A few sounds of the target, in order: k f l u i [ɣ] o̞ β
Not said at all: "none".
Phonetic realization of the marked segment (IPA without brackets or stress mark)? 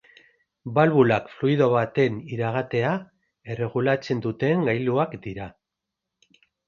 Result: ð